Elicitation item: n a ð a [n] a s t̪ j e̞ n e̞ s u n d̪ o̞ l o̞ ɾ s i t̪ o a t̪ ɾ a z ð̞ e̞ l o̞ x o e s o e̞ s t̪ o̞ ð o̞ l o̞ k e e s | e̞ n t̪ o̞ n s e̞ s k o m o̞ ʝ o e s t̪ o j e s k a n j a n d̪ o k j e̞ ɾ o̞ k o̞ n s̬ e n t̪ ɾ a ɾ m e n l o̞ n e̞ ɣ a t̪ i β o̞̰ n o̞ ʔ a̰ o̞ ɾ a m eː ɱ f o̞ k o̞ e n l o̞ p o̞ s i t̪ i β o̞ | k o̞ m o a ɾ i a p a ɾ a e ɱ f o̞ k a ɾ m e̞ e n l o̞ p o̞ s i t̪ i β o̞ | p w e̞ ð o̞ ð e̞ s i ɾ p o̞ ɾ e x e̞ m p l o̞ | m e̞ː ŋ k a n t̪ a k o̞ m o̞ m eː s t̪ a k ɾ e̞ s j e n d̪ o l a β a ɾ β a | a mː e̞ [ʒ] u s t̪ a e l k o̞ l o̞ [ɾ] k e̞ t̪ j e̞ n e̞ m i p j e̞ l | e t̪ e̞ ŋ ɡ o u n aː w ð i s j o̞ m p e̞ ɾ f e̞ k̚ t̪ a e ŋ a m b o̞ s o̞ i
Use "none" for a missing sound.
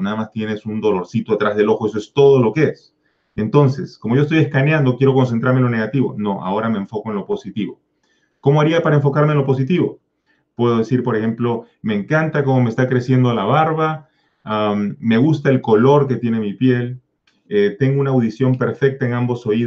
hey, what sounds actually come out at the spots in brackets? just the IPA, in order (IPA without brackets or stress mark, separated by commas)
m, ɣ, ɾ